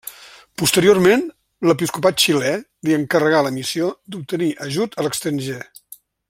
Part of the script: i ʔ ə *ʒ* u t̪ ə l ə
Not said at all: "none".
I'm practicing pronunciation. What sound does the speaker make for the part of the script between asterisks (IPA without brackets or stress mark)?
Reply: ʒ